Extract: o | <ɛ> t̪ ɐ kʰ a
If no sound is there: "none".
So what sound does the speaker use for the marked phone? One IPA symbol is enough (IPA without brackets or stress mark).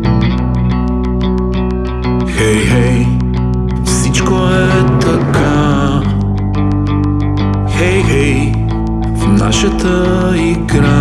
ɛ